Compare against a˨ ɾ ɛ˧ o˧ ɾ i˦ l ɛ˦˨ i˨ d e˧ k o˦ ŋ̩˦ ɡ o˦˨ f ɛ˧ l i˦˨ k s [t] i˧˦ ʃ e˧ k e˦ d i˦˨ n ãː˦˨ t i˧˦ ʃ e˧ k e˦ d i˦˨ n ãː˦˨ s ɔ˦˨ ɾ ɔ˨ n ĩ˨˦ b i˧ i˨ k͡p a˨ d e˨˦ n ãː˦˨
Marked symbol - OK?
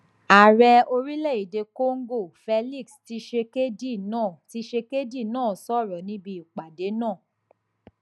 yes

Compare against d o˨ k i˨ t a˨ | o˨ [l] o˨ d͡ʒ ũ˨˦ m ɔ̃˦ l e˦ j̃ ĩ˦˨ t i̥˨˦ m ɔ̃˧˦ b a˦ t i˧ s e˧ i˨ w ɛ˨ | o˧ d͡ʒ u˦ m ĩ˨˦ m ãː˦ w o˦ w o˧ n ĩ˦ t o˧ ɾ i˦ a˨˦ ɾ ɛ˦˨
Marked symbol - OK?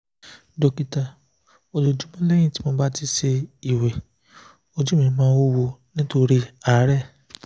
yes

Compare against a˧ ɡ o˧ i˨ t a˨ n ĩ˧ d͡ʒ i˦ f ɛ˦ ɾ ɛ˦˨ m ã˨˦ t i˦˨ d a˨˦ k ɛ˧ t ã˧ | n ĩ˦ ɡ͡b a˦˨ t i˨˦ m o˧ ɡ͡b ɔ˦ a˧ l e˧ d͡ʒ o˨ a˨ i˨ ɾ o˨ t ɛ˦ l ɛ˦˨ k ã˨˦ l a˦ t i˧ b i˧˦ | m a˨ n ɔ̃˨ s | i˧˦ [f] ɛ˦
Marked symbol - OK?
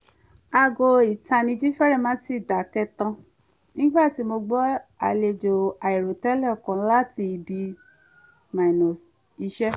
no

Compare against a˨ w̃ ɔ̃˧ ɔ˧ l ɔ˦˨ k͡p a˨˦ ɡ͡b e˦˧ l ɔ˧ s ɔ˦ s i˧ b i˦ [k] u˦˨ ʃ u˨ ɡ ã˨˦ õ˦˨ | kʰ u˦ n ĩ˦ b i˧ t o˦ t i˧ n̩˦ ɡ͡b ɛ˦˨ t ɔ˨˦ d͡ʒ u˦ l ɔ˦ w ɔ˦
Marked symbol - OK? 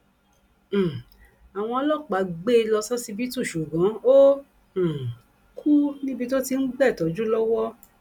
no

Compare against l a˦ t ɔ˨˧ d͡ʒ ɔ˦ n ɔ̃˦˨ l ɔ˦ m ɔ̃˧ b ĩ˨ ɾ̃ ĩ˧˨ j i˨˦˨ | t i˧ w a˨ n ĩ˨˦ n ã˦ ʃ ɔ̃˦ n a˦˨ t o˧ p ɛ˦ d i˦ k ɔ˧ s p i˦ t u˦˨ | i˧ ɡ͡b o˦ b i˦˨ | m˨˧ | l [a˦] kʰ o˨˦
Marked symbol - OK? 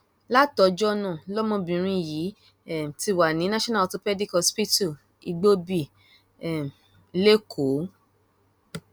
no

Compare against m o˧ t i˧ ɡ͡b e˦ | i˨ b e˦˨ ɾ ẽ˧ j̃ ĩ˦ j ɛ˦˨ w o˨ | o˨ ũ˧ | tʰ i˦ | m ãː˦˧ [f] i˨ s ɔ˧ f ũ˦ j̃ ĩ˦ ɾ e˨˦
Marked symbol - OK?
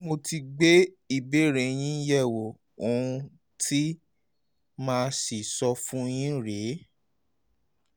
no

